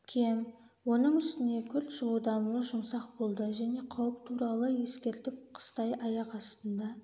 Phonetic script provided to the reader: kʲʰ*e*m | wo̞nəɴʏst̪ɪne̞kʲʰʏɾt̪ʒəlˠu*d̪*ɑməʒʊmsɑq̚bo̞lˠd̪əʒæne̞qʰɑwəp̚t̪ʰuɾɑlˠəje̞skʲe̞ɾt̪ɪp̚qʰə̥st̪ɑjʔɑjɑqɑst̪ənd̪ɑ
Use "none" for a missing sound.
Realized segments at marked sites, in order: e, d̪

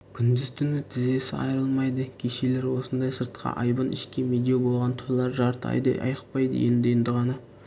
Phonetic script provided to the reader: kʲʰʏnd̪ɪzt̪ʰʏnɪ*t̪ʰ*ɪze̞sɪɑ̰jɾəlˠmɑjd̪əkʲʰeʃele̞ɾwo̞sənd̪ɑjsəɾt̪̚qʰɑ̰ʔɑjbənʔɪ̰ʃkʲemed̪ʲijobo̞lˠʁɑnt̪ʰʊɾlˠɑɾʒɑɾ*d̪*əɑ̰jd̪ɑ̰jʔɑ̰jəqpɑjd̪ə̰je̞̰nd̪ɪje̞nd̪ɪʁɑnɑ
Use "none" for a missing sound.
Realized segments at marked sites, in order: t̪ʰ, t̪

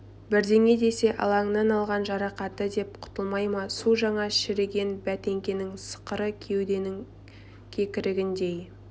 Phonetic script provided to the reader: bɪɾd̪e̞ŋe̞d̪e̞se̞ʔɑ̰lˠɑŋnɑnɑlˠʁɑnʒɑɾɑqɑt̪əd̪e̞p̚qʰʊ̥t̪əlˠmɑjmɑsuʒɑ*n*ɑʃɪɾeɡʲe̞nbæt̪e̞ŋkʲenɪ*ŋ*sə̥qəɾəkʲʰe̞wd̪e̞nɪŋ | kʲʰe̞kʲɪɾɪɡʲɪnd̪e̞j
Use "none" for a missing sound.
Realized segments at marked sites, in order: ɴ, ŋ

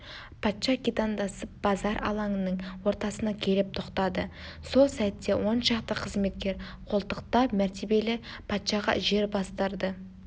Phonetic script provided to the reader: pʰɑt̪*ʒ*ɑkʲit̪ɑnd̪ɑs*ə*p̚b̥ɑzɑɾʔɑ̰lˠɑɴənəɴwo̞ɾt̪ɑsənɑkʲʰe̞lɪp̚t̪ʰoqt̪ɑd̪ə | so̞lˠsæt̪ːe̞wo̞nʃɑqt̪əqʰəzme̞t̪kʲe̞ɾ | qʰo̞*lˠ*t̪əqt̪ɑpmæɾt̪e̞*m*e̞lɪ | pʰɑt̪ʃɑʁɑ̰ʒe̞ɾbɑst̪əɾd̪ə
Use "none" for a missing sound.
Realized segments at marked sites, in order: ʃ, ə, lˠ, b

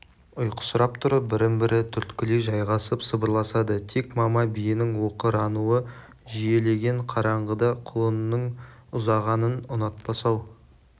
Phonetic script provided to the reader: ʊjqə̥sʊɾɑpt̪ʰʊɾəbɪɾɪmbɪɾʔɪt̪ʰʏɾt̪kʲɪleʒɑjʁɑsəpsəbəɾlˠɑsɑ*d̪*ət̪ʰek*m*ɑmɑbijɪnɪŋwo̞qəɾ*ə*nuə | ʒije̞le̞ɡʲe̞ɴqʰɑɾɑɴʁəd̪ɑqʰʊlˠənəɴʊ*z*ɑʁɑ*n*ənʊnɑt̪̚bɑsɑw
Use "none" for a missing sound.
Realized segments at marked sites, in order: d̪, m, ɑ, z, n

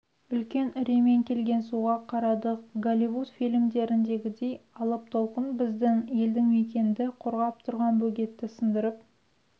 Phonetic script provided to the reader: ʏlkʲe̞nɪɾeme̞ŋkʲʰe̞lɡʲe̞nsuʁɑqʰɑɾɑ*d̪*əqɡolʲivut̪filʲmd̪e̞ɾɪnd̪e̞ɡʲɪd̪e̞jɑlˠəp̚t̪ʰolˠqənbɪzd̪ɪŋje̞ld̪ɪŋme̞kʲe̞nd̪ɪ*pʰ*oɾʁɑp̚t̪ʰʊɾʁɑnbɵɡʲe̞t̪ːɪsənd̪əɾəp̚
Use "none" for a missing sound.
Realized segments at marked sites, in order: d̪, qʰ

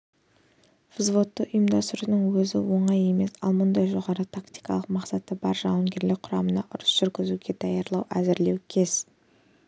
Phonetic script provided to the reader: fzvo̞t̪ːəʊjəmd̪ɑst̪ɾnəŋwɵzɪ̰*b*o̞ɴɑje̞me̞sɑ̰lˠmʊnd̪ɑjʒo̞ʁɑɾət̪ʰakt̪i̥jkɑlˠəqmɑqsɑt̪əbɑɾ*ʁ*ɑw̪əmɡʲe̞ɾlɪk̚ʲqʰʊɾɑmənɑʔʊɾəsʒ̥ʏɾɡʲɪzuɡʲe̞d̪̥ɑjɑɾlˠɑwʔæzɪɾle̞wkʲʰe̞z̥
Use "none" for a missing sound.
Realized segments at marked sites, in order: w, ʒ

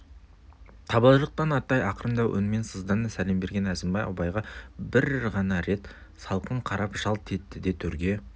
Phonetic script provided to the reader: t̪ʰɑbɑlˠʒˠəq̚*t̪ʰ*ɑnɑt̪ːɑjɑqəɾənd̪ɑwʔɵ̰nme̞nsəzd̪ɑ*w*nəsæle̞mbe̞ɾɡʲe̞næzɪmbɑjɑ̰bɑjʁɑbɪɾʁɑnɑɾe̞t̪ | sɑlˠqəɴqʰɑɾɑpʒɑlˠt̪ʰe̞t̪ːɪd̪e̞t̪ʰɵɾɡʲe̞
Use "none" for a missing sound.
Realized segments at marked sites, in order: t̪, none

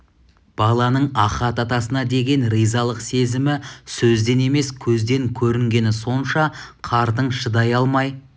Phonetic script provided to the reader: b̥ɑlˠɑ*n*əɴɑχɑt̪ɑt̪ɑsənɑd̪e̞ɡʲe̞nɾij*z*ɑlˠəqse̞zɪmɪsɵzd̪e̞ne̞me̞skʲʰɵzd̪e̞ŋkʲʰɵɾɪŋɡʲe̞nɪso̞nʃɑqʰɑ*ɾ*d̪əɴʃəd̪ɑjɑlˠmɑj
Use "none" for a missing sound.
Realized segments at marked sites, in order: n, z, ɾ

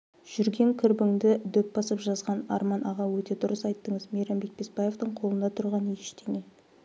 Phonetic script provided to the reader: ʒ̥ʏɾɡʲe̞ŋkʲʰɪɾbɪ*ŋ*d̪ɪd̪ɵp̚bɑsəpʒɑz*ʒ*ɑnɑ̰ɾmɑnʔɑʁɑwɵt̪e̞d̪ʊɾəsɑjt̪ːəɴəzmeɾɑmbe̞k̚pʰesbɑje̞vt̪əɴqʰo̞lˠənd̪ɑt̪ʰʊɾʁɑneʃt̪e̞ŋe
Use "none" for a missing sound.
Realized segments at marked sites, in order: ŋ, ʁ

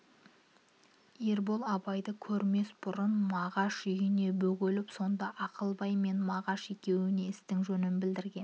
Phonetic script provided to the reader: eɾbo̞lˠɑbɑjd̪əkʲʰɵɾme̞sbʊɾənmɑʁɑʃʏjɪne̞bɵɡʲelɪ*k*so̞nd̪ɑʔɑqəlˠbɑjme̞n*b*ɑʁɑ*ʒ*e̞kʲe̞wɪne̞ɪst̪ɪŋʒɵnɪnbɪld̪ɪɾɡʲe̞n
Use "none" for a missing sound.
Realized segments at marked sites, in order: p, m, ʃ

